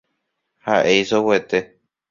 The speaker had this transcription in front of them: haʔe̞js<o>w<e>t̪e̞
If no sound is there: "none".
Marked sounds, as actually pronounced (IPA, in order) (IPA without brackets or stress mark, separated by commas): o, e